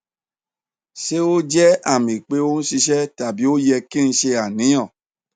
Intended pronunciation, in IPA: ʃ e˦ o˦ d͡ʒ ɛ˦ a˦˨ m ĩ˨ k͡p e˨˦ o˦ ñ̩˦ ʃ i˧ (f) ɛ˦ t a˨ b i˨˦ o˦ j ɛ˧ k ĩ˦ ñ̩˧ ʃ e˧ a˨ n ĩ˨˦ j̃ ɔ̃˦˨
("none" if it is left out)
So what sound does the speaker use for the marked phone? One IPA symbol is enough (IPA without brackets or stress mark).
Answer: ʃ